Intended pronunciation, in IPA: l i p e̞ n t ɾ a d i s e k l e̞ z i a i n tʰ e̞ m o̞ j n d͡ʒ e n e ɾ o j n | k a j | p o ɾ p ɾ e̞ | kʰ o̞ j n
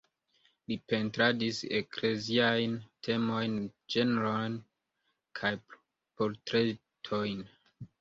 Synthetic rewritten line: l i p e̞ n t ɾ a d i s e k l e̞ z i a j n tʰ e̞ m o̞ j n d͡ʒ e n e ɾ o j n | kʰ a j | p o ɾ t ɾ e̞ | tʰ o̞ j n